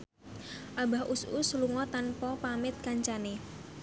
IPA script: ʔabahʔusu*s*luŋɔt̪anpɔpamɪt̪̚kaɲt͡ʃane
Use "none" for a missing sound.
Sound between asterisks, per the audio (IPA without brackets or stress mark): s